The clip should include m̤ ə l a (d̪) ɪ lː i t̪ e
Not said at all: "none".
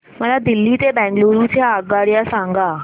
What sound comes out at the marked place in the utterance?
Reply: d̪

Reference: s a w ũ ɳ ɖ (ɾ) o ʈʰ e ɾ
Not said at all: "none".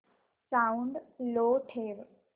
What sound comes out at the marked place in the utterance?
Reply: l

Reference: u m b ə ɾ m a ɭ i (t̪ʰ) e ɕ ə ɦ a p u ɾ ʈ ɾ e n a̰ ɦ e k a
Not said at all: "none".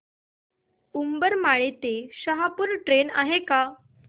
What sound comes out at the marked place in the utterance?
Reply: t̪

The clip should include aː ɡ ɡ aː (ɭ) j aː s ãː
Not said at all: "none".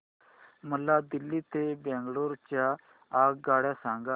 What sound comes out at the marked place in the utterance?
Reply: ɽ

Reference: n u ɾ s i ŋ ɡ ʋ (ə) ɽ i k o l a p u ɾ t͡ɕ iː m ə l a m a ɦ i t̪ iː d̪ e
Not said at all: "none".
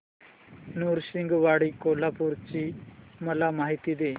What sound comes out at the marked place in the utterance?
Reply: a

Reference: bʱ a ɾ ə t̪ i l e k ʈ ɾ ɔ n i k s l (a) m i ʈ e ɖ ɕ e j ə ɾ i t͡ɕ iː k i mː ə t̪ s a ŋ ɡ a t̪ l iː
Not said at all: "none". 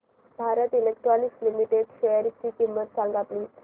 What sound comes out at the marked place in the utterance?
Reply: i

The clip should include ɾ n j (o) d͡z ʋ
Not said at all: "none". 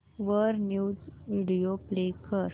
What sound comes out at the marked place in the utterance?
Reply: u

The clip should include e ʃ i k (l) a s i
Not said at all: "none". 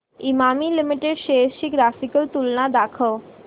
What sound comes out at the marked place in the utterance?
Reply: ɾ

